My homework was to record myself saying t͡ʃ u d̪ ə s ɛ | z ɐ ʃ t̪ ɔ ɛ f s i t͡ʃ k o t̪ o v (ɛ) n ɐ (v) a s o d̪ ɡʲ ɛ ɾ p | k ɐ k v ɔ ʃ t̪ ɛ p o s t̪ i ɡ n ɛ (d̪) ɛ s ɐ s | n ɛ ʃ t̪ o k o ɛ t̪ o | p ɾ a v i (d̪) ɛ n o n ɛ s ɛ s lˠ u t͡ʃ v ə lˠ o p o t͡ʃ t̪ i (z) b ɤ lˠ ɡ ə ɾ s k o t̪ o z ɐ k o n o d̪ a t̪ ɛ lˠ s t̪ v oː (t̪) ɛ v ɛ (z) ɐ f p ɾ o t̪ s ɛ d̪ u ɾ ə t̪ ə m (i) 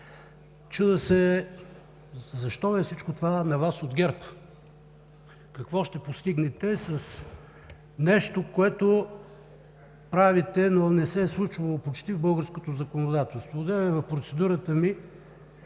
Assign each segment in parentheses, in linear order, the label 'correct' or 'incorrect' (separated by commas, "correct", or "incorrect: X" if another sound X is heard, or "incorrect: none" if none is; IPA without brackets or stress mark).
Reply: incorrect: a, correct, incorrect: t̪, incorrect: t̪, incorrect: v, incorrect: d̪, incorrect: v, correct